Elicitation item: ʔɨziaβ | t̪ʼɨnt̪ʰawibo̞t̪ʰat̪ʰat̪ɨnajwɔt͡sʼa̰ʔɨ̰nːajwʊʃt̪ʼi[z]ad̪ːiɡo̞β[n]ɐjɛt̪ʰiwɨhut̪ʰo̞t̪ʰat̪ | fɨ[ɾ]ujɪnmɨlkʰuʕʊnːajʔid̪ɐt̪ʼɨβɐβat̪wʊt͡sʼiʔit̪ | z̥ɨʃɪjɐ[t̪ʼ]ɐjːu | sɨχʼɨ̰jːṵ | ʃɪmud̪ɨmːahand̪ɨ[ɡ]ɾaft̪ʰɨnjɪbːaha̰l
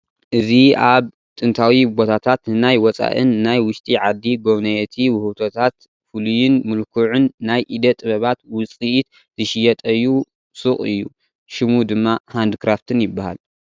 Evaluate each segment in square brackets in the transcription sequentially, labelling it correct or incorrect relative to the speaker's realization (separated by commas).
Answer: incorrect, correct, incorrect, correct, incorrect